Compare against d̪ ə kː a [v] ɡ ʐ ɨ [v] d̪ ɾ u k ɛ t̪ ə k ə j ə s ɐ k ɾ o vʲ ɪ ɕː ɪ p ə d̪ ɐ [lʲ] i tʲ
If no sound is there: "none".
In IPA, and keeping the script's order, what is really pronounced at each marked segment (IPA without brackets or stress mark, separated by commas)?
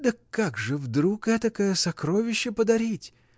none, v, ɾʲ